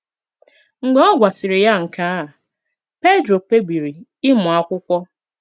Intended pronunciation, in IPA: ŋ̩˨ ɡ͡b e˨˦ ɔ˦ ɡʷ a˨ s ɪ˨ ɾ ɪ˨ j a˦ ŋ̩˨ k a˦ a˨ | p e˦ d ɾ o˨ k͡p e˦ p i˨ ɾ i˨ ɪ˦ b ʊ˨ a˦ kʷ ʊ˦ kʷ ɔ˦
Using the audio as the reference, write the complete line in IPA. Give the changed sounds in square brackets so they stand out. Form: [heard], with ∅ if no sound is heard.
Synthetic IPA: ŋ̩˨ ɡ͡b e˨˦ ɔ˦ ɡʷ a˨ s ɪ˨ ɾ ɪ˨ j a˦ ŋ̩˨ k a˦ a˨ | p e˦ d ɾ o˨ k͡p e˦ [b] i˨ ɾ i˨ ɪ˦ [m] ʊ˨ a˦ kʷ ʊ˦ kʷ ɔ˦